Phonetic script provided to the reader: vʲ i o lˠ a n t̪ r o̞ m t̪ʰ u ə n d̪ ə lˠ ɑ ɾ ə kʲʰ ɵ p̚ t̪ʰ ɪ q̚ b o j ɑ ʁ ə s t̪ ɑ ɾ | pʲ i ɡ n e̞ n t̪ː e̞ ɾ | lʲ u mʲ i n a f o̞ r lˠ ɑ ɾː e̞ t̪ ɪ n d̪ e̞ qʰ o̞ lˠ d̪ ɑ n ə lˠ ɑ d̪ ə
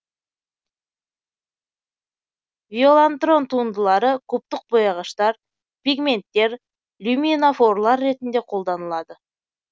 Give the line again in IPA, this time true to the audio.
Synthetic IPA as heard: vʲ i o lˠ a n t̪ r o̞ n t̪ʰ u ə n d̪ ə lˠ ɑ ɾ ə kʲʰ ɵ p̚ t̪ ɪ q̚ b o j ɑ ʁ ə ʃ t̪ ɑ ɾ | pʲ i ɡ m e̞ n t̪ː e̞ ɾ | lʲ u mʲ i n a f o̞ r lˠ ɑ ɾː e̞ t̪ ɪ n d̪ e̞ qʰ o̞ lˠ d̪ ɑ n ə lˠ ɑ d̪ ə